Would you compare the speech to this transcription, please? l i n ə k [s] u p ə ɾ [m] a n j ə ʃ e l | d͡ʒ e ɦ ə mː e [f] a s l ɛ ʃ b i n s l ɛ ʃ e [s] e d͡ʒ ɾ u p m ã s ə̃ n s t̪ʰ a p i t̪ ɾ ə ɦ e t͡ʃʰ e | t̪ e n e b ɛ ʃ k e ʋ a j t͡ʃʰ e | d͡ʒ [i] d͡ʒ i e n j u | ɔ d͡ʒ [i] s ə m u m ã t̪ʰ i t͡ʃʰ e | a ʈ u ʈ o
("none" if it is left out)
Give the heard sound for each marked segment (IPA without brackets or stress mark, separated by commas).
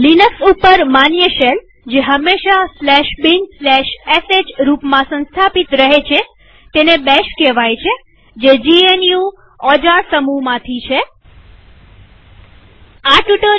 s, m, ʃ, s, e, a